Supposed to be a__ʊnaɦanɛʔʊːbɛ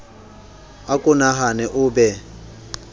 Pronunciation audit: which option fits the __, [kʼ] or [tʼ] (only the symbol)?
kʼ